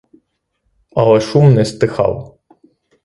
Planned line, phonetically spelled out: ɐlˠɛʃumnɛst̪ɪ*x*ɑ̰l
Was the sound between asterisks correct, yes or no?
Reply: yes